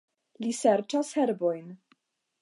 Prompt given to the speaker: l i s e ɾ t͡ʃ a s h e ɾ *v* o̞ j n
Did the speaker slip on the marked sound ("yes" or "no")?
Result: yes